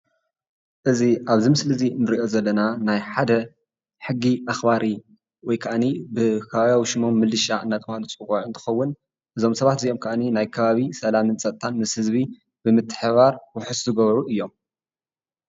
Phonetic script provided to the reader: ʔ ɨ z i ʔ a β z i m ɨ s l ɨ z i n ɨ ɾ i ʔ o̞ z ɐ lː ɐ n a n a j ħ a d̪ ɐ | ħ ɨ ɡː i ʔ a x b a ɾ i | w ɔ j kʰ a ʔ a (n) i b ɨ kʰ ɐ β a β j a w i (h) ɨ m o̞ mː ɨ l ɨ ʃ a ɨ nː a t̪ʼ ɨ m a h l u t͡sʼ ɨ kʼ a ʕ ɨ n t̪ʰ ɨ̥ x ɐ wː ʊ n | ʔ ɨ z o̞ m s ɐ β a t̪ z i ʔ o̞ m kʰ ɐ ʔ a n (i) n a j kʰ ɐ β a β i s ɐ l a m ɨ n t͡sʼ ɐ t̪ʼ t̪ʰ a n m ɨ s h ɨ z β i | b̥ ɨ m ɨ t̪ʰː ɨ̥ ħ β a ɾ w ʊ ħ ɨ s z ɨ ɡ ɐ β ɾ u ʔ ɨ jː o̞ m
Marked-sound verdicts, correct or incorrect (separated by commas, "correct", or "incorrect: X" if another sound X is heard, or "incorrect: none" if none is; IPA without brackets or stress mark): correct, incorrect: ʃ, correct